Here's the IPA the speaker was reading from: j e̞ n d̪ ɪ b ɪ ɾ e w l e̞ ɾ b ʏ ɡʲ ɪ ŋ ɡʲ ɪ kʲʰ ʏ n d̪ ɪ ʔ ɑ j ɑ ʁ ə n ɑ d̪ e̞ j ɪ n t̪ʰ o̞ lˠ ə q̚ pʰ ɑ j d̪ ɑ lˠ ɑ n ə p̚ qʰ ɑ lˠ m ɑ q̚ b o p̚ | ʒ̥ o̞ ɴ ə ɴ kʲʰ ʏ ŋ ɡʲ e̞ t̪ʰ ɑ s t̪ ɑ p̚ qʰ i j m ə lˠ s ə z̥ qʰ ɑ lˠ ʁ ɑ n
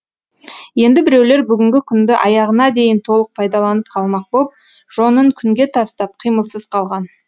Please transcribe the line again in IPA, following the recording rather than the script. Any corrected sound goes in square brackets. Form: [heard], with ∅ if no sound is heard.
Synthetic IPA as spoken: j e̞ n d̪ ɪ b ɪ ɾ e w l e̞ ɾ b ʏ ɡʲ ɪ ŋ ɡʲ ɪ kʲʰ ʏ n d̪ ɪ ʔ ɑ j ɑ ʁ ə n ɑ d̪ e̞ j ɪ n t̪ʰ o̞ lˠ ə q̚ pʰ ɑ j d̪ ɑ lˠ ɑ n ə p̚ qʰ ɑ lˠ m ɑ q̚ b o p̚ | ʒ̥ o̞ [n] ə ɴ kʲʰ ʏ ŋ ɡʲ e̞ t̪ʰ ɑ s t̪ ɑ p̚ qʰ i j m ə lˠ s ə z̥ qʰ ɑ lˠ ʁ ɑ n